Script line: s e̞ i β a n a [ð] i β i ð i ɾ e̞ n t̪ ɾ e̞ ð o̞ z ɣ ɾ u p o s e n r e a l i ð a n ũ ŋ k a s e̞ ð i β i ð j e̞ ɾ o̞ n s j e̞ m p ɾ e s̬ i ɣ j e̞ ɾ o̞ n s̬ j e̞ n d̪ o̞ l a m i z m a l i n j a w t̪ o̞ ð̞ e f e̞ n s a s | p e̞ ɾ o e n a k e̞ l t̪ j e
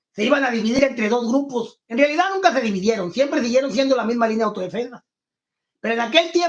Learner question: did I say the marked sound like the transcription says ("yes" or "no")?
yes